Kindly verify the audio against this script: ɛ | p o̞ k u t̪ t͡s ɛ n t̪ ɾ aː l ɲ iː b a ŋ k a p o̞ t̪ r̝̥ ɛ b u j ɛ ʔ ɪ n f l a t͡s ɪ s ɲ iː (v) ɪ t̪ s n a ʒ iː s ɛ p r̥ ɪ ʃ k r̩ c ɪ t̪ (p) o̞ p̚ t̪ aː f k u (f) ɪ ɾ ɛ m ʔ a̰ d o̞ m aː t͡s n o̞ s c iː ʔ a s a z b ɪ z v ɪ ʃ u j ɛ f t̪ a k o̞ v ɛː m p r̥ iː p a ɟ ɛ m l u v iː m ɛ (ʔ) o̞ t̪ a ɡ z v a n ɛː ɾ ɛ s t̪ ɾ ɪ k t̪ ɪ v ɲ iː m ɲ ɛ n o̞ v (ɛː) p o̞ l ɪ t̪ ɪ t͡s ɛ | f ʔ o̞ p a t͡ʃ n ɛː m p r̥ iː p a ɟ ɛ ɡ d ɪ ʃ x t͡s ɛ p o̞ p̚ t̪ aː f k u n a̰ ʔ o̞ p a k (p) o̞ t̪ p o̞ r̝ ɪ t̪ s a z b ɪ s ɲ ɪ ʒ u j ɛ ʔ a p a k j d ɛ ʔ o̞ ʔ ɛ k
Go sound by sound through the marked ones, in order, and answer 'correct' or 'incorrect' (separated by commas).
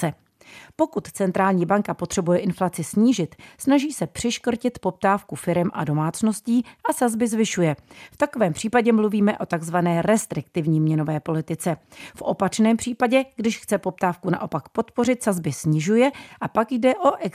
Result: incorrect, correct, correct, correct, correct, correct